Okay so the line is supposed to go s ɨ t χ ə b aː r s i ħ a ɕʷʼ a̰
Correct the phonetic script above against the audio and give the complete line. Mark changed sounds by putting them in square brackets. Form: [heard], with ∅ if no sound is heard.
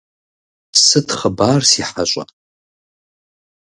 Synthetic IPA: s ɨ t χ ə b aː r s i ħ a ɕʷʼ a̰